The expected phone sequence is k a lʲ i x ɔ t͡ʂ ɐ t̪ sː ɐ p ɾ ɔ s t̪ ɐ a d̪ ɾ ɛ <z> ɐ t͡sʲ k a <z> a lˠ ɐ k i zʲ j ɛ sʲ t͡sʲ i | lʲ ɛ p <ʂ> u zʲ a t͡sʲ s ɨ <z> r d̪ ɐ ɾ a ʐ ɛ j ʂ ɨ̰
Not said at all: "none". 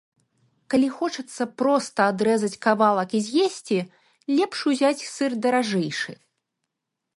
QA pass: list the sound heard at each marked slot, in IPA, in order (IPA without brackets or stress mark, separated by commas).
z, v, ʂ, none